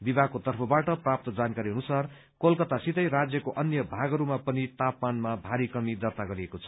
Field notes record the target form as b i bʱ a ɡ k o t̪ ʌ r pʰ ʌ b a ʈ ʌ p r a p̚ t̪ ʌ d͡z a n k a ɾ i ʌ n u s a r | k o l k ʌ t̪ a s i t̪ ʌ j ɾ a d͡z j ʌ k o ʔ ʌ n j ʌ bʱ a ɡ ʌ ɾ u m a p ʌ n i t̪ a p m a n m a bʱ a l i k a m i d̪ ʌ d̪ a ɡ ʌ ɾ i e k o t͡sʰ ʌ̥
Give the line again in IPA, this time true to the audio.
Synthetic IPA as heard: b i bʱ a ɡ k o t̪ ʌ r pʰ ʌ b a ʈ ʌ p r a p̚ t̪ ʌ d͡z a n k a ɾ i ʌ n u s a r | k o l k ʌ t̪ a s i t̪ ʌ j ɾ a d͡z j ʌ k o ʔ ʌ n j ʌ bʱ a ɡ ʌ ɾ u m a p ʌ n i t̪ a p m a n m a bʱ a ɾ i k ʌ m i d̪ ʌ t̪ a ɡ ʌ ɾ i e k o t͡sʰ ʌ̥